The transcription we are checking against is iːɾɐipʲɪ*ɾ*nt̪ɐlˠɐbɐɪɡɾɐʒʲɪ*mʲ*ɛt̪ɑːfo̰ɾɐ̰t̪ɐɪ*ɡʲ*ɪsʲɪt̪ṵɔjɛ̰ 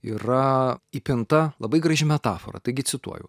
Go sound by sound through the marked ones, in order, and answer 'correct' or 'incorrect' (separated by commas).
incorrect, correct, correct